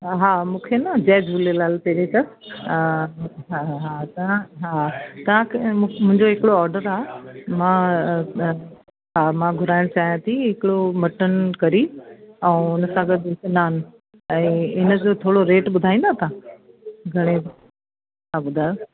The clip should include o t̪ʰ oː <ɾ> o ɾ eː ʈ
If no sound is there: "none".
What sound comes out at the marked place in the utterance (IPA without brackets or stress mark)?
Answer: ɽ